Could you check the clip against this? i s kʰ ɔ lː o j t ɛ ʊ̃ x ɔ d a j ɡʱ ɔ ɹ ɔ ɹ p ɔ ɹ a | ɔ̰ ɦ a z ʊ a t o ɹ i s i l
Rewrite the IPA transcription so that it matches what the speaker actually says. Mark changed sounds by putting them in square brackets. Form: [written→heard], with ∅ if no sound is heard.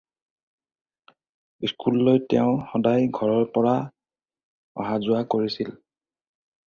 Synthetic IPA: i s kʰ [ɔ→u] lː o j t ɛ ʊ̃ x ɔ d a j ɡʱ ɔ ɹ ɔ ɹ p ɔ ɹ a | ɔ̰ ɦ a z ʊ a [t→k] o ɹ i s i l